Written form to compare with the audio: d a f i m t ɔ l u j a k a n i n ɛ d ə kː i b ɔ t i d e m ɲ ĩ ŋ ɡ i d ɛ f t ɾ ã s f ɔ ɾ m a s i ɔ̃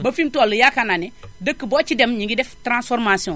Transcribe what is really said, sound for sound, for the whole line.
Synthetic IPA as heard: b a f i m t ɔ l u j a k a n a n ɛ d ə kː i b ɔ t͡ʃ i d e m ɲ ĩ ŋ ɡ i d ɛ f t ɾ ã s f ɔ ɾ m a s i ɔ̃